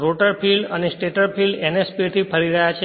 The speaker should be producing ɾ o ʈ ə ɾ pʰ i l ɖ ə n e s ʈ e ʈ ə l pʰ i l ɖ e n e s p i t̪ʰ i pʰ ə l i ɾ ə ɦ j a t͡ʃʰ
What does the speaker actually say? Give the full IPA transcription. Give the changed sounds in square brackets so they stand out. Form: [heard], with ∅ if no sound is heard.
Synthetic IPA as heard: ɾ o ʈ ə ɾ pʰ i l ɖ ə n e s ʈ e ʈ ə [ɾ] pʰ i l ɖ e n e s p i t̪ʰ i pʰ ə [ɾ] i ɾ ə ɦ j a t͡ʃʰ